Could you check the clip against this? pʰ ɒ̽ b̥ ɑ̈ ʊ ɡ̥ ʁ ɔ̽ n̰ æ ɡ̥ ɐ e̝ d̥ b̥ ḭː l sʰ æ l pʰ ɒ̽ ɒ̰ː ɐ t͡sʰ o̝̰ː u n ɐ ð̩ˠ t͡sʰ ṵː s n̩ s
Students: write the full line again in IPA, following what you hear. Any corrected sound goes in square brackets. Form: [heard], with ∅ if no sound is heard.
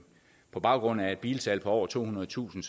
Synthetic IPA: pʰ ɒ̽ b̥ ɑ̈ ʊ ɡ̥ ʁ ɔ̽ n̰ æ [∅] ɐ e̝ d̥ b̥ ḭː l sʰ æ l pʰ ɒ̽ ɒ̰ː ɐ t͡sʰ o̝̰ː u n ɐ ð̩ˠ t͡sʰ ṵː s n̩ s